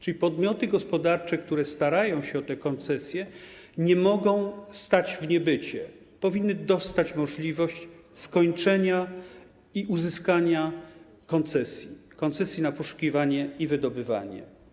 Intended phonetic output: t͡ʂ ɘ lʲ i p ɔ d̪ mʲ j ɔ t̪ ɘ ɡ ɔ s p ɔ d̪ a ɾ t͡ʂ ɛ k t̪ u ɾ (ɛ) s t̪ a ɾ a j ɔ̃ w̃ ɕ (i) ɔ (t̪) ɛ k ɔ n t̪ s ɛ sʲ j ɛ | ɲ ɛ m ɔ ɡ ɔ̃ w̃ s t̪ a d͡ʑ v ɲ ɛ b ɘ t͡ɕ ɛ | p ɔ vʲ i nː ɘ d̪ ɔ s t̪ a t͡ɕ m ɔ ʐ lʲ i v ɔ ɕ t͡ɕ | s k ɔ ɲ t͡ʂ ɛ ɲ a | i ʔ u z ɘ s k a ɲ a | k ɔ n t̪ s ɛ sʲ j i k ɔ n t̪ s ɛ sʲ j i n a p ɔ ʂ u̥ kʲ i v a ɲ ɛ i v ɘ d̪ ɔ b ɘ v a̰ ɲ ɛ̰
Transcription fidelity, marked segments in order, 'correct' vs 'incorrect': correct, incorrect, correct

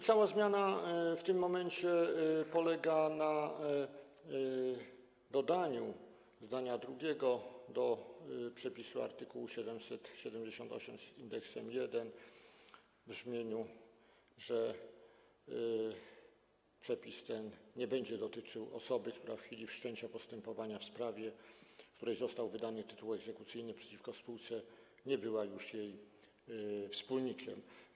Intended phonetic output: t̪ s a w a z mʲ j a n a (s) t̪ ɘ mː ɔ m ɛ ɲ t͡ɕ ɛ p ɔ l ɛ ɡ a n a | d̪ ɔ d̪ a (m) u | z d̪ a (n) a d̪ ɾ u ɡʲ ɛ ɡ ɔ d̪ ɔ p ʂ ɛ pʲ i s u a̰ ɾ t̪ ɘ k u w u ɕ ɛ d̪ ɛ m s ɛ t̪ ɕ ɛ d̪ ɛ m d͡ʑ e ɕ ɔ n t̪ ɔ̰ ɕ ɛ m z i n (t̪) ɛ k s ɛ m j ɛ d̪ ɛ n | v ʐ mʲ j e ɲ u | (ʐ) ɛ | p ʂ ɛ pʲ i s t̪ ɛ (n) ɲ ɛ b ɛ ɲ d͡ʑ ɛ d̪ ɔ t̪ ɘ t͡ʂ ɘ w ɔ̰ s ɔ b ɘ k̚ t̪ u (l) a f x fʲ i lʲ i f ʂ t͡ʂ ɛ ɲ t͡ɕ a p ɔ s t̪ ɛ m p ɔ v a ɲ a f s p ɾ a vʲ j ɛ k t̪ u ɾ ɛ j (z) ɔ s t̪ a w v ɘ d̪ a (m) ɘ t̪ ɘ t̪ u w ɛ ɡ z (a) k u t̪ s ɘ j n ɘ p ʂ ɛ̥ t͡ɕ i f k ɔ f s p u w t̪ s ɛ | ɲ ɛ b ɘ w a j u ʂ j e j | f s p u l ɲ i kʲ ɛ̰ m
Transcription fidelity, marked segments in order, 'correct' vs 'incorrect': incorrect, incorrect, incorrect, incorrect, correct, correct, incorrect, correct, incorrect, incorrect

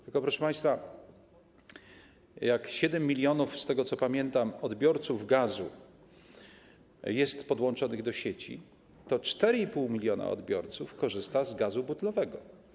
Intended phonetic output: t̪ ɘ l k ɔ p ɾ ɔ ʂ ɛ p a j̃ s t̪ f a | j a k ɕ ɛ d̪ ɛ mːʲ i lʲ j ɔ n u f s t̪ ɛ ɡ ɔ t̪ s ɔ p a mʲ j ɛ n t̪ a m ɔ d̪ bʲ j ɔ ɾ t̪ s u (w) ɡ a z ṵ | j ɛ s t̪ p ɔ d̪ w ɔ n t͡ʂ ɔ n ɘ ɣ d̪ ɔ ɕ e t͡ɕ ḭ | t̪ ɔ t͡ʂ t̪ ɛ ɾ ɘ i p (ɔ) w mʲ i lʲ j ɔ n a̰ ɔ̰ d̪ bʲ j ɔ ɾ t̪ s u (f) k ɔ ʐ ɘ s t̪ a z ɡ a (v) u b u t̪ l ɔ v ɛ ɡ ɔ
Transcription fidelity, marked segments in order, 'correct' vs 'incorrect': incorrect, incorrect, correct, incorrect

